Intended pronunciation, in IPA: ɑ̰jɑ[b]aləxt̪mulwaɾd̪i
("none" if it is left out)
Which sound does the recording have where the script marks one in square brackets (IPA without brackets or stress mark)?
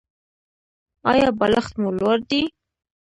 b